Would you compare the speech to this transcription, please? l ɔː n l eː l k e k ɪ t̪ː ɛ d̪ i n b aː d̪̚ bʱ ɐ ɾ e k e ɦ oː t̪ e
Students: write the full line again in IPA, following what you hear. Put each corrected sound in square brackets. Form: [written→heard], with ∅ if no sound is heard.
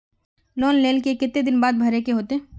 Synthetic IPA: l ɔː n l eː l k e k ɪ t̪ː [ɛ→e] d̪ [i→ɪ] n b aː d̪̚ bʱ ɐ ɾ e k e ɦ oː t̪ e